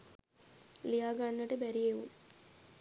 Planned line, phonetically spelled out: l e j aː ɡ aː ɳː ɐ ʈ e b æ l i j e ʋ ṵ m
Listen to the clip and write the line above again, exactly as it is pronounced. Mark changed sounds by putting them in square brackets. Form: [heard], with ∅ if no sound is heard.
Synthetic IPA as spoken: l [i] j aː ɡ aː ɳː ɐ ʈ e b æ [ɾ] i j e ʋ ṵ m